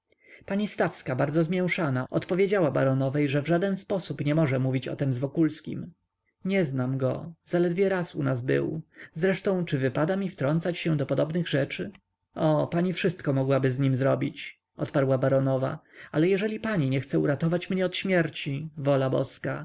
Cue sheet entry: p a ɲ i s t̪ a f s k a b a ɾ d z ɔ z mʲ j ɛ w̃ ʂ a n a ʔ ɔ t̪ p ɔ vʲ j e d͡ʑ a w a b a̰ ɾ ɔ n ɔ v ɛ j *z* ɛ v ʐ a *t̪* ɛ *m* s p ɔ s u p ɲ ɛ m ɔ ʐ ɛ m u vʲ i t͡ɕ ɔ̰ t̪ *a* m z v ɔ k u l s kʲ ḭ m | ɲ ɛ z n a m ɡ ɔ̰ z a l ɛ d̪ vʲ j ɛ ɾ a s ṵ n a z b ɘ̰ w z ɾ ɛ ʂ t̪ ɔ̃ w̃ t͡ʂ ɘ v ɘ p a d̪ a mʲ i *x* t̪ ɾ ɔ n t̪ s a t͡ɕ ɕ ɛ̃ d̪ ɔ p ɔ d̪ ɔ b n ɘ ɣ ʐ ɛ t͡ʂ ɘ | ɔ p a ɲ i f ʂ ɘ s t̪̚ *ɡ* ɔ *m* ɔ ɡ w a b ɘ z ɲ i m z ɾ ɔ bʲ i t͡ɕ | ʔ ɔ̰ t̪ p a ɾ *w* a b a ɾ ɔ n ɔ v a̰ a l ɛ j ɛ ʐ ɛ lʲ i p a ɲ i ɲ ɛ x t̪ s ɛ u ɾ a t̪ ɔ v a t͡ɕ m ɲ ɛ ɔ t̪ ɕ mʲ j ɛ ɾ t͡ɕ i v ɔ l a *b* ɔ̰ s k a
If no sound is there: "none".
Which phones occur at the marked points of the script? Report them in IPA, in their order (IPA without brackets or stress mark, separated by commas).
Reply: ʐ, d̪, n, ɛ, f, k, m, w, b